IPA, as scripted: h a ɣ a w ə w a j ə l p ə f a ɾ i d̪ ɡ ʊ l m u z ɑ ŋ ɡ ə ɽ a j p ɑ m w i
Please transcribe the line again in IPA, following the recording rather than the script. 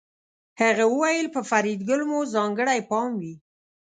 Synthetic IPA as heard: h a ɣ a w ə w a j ə l p ə f a ɾ i d̪ ɡ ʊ l m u z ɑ ŋ ɡ ə ɽ a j p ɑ m w i